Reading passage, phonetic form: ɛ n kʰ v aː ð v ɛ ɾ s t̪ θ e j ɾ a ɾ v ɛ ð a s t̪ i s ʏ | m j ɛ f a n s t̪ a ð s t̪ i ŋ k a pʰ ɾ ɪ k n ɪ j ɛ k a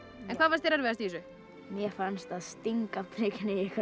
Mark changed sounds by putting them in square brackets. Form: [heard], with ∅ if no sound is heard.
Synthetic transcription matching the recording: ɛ n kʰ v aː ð v [a] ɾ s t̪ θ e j ɾ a ɾ v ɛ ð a s t̪ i s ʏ | m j ɛ f a n s t̪ a ð s t̪ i ŋ k a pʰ ɾ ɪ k n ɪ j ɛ k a